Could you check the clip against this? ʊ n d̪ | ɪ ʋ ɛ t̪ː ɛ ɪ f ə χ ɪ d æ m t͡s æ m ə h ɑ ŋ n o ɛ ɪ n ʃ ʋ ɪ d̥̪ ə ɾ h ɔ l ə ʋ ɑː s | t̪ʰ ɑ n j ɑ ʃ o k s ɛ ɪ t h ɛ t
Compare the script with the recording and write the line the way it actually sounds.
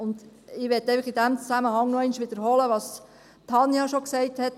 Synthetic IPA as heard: ʊ n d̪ | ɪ ʋ ɛ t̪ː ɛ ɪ f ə χ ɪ d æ m t͡s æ m ə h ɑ ŋ n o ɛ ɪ n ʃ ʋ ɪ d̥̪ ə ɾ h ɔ l ə ʋ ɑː s | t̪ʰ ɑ n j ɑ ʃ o k s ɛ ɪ t h ɛ t